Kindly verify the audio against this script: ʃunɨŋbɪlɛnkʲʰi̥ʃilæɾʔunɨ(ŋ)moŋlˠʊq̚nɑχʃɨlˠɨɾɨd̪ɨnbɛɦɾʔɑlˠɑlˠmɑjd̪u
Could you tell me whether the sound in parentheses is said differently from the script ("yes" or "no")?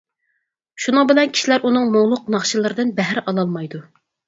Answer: no